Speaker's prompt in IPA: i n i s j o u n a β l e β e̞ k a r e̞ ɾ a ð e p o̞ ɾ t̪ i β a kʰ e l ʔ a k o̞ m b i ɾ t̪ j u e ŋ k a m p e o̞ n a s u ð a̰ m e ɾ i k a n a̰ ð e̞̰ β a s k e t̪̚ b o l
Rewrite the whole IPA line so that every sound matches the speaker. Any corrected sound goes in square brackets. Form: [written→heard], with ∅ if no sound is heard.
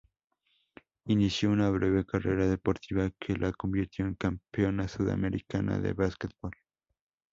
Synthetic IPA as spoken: i n i s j o u n a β [l→ɾ] e β e̞ k a r e̞ ɾ a ð e p o̞ ɾ t̪ i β a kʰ e l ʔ a k o̞ m b i ɾ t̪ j [u→o] e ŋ k a m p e o̞ n a s u ð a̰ m e ɾ i k a n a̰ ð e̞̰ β a s k e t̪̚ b o l